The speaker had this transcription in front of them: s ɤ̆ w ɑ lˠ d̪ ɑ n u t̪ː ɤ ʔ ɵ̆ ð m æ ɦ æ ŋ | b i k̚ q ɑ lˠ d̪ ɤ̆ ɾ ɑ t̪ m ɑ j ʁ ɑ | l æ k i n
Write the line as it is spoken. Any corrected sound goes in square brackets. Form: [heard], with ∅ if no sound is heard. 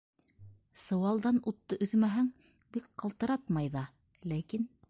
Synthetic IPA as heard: s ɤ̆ w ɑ lˠ d̪ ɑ n u t̪ː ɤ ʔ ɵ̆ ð m æ ɦ æ ŋ | b i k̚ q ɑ lˠ [t̪] ɤ̆ ɾ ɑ t̪ m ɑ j [ð] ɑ | l æ k i n